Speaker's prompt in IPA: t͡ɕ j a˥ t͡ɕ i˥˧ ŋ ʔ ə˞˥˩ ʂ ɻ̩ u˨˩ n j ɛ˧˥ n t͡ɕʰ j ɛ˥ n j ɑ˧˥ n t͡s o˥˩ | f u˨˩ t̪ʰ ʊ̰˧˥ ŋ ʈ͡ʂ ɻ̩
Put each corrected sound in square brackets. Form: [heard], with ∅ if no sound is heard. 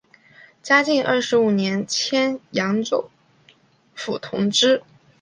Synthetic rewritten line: t͡ɕ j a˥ t͡ɕ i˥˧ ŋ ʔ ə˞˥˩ ʂ ɻ̩ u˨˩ n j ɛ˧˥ n t͡ɕʰ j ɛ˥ n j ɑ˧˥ [ŋ] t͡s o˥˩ | f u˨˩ t̪ʰ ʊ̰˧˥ ŋ ʈ͡ʂ ɻ̩